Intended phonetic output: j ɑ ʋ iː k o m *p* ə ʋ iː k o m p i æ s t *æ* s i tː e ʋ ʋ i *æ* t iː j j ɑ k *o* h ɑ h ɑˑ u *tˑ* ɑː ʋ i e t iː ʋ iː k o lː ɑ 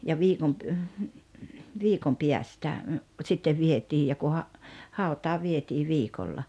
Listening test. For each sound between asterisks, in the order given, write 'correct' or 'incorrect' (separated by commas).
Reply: correct, correct, incorrect, incorrect, correct